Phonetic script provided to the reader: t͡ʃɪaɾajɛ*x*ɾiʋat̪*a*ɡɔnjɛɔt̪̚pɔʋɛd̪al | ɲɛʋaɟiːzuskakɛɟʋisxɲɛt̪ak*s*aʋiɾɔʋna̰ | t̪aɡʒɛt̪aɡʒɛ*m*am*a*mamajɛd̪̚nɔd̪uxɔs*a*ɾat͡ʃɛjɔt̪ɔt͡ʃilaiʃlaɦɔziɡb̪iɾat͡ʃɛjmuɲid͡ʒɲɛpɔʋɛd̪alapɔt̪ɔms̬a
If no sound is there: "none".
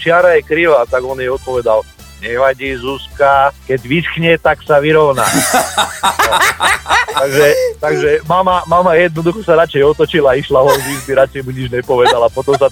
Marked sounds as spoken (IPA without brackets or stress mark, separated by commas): k, a, s, m, a, a